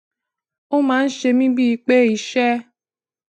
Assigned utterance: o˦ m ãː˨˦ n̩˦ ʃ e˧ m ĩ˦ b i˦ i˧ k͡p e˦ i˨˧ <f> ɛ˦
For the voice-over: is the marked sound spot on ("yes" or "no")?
no